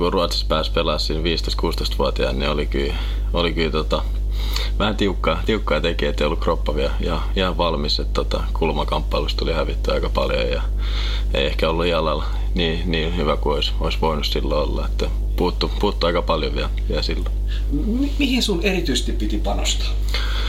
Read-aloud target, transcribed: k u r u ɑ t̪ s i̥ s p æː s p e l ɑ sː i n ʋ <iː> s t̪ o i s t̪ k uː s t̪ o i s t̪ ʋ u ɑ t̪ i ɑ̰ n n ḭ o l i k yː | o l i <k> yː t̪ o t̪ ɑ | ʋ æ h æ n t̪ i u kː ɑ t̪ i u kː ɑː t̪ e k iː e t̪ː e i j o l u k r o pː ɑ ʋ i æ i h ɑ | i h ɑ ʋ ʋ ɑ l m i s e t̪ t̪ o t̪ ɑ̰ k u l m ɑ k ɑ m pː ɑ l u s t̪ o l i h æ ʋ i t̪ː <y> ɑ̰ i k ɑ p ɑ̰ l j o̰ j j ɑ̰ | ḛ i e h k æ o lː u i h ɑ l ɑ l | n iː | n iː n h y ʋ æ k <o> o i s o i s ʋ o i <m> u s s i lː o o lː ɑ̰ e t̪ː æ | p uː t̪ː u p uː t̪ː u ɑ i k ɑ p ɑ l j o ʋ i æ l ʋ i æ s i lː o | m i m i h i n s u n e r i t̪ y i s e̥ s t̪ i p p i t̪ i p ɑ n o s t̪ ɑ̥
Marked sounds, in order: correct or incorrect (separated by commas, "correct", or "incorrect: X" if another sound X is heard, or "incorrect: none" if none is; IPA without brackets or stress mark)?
correct, correct, correct, incorrect: u, incorrect: n